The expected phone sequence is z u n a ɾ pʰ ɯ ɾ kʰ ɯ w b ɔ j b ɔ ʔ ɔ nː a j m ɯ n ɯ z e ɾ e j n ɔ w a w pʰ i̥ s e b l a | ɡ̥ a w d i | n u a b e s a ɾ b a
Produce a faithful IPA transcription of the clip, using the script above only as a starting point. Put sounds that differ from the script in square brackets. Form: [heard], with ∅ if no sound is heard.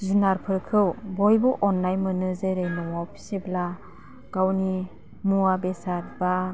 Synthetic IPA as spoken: z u n a ɾ pʰ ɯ ɾ kʰ ɯ w b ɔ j b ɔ ʔ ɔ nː a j m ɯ n ɯ z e ɾ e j n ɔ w a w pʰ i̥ s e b l a | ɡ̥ a w [n] i | [m] u a b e s a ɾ b a

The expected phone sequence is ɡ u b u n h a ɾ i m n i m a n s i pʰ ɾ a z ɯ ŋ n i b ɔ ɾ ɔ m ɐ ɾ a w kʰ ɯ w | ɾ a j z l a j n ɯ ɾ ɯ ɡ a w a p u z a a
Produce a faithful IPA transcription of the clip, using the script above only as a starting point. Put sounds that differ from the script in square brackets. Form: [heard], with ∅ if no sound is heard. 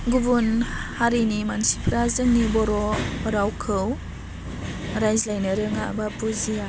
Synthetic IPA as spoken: ɡ u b u n h a ɾ i [∅] n i m a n s i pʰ ɾ a z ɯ ŋ n i b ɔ ɾ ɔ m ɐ ɾ a w kʰ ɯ w | ɾ a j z l a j n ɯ ɾ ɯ [ŋ] a [b] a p u z [i] a

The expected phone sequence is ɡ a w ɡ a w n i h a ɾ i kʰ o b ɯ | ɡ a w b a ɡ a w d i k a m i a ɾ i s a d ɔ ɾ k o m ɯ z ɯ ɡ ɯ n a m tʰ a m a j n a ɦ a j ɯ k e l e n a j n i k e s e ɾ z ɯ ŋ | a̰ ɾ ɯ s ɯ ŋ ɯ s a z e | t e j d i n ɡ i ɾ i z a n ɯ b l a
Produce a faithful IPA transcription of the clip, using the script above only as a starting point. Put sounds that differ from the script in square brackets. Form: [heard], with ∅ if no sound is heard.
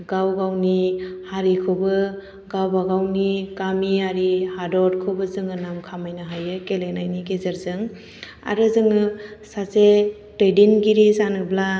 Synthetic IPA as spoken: ɡ a w ɡ a w n i h a ɾ i kʰ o b ɯ | ɡ a w b a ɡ a w [n] i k a m i a ɾ i [h] a d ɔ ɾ [kʰ] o [b] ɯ z ɯ [ŋ] ɯ n a m [kʰ] a m a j n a ɦ a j ɯ k e l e n a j n i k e [z] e ɾ z ɯ ŋ | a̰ ɾ ɯ [z] ɯ ŋ ɯ s a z e | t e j d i n ɡ i ɾ i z a n ɯ b l a

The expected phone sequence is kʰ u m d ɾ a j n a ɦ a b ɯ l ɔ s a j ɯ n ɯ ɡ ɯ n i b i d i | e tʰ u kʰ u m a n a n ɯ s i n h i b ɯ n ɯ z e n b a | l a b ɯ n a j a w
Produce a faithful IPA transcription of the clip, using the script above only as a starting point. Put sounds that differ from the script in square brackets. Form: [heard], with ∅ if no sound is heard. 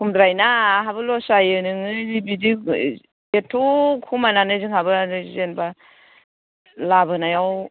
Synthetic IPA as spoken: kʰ u m d ɾ a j n a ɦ a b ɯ l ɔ s a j ɯ n ɯ [ŋ] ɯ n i b i d i | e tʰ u kʰ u m a n a n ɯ [z] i [ŋ] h [a] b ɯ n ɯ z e n b a | l a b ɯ n a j a w

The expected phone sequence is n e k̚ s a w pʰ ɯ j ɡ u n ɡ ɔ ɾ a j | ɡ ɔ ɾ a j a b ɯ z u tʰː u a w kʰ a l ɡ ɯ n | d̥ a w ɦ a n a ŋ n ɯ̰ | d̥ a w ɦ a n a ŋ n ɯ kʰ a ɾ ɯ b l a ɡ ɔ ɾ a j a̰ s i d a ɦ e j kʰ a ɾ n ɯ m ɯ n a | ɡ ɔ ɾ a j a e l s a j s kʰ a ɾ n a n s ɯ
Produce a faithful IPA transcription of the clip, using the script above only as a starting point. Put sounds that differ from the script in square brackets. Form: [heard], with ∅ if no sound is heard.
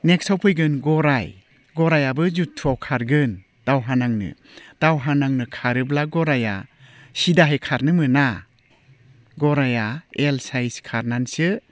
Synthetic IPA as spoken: n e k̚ s a w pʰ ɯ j ɡ [ɯ] n ɡ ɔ ɾ a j | ɡ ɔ ɾ a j a b ɯ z u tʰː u a w kʰ a [ɾ] ɡ ɯ n | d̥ a w ɦ a n a ŋ n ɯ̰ | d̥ a w ɦ a n a ŋ n ɯ kʰ a ɾ ɯ b l a ɡ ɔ ɾ a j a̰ s i d a ɦ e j kʰ a ɾ n ɯ m ɯ n a | ɡ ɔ ɾ a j a e l s a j s kʰ a ɾ n a n s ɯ

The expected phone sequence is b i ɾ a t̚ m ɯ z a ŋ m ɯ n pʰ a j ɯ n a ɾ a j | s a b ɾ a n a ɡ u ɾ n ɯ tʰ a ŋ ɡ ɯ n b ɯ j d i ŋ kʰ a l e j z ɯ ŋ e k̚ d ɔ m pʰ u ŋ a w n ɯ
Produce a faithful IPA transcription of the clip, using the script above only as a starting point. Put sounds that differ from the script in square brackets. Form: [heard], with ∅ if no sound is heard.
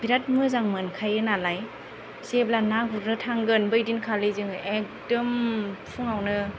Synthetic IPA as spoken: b i ɾ a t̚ m ɯ z a ŋ m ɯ n [kʰ] a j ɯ n a [l] a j | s [e] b [l] a n a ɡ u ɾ n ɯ tʰ a ŋ ɡ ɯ n b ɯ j d i [n] kʰ a l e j z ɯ ŋ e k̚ d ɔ m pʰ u ŋ a w n ɯ

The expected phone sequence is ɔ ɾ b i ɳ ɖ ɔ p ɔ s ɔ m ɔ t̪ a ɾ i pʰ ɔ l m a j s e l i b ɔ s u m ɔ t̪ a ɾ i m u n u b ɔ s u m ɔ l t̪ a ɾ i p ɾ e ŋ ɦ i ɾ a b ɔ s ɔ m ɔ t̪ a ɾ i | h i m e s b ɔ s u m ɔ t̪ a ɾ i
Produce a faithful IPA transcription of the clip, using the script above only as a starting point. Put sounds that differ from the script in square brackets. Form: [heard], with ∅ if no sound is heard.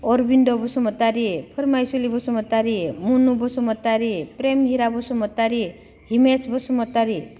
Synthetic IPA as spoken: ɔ ɾ b i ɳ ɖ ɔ [b] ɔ s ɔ m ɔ t̪ a ɾ i pʰ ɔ [ɾ] m a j s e l i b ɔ s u m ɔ t̪ a ɾ i m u n u b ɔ s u m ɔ [∅] t̪ a ɾ i p ɾ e [m] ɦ i ɾ a b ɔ s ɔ m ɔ t̪ a ɾ i | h i m e s b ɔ s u m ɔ t̪ a ɾ i

